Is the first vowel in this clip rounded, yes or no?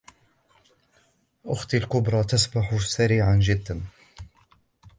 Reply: yes